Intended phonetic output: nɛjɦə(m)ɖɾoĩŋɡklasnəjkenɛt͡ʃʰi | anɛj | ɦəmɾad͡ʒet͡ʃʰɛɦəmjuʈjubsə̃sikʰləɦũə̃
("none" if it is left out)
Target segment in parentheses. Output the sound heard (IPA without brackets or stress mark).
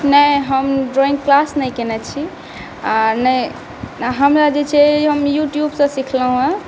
m